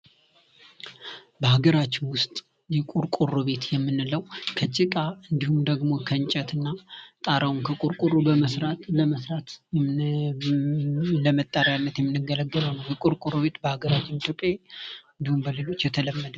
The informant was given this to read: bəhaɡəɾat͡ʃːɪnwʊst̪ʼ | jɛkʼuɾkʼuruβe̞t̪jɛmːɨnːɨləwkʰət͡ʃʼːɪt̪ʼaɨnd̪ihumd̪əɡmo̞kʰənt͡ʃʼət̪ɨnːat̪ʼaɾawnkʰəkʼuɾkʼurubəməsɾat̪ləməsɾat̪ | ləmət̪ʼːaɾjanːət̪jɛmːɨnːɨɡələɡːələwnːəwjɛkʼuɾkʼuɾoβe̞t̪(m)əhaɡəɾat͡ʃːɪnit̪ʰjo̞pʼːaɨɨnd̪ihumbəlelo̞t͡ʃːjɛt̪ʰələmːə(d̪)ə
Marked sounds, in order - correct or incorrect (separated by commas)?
incorrect, correct